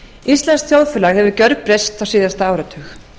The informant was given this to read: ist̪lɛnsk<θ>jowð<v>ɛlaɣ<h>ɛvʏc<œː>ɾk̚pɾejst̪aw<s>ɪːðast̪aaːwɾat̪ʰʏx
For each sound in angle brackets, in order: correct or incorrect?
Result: correct, incorrect: f, correct, incorrect: œ, correct

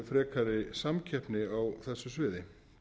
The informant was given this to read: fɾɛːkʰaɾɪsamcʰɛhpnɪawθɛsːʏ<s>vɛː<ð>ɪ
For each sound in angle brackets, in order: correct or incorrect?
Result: correct, correct

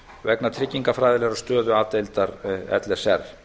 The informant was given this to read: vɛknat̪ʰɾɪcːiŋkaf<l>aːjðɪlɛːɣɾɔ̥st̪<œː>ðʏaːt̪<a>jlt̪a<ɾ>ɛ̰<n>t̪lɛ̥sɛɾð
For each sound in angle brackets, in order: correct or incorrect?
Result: incorrect: ɾ, correct, incorrect: e, correct, incorrect: none

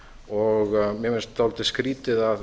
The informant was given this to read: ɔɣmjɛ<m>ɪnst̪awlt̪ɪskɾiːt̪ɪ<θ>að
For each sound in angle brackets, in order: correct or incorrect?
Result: correct, incorrect: ð

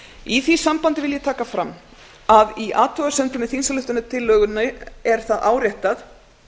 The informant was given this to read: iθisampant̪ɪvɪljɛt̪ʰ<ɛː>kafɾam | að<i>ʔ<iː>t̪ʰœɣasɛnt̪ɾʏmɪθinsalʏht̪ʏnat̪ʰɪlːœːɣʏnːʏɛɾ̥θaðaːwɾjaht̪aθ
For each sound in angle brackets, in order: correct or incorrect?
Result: incorrect: aː, correct, incorrect: aː

